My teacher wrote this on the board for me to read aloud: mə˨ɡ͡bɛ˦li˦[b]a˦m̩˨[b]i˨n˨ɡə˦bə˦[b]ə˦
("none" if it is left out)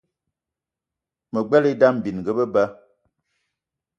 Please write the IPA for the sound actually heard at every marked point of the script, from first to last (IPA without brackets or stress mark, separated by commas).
d, b, b